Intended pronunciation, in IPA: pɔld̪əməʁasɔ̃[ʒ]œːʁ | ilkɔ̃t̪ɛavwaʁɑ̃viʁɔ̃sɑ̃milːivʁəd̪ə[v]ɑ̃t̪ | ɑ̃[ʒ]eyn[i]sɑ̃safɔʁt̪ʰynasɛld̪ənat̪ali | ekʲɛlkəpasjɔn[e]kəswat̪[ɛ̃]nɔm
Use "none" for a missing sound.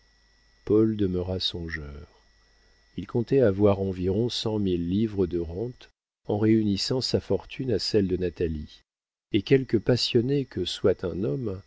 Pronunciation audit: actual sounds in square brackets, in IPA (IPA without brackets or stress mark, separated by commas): ʒ, ʁ, ʁ, i, e, ɛ̃